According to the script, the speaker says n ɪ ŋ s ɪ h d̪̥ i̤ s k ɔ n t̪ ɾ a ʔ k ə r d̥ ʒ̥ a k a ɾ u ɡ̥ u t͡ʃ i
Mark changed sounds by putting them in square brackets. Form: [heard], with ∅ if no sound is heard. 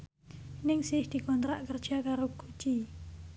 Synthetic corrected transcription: n ɪ ŋ s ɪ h d̪̥ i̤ [∅] k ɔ n t̪ ɾ a ʔ k ə r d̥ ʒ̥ a k a ɾ [o] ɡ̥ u t͡ʃ i